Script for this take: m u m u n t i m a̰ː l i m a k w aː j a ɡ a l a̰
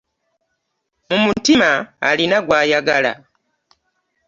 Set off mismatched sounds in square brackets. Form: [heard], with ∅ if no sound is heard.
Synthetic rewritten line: m u m u [∅] t i m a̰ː l i [n] a [ɡ] w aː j a ɡ a l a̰